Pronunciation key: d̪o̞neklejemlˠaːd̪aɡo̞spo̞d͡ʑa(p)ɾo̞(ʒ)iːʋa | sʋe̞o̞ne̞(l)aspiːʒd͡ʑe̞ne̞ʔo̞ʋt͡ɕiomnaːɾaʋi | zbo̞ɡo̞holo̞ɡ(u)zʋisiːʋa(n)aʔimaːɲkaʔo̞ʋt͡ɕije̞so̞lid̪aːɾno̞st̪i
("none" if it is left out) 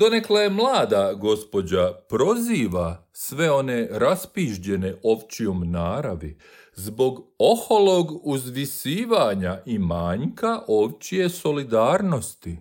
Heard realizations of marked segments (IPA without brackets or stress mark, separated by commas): p, z, ɾ, u, ɲ